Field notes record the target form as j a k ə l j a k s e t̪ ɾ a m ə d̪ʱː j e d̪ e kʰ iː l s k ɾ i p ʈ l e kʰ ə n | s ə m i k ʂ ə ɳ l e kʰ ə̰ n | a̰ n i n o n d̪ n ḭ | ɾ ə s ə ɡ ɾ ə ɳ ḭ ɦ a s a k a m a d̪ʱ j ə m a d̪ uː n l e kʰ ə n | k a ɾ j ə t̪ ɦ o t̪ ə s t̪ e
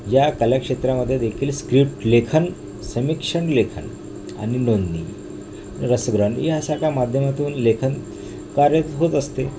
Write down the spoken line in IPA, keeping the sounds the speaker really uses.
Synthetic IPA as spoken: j a k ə l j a k ʂ e t̪ ɾ a m ə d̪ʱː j e d̪ e kʰ iː l s k ɾ i p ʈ l e kʰ ə n | s ə m i k ʂ ə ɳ l e kʰ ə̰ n | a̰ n i n o n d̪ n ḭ | ɾ ə s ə ɡ ɾ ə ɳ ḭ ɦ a s a k a m a d̪ʱ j ə m a t̪ uː n l e kʰ ə n | k a ɾ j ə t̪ ɦ o t̪ ə s t̪ e